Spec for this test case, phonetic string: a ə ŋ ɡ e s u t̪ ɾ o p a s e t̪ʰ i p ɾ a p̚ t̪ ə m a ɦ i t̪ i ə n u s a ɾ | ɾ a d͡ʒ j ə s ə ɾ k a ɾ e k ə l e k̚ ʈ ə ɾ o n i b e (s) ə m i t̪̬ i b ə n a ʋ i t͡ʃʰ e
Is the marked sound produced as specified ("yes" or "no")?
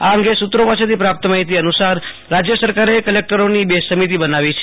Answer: yes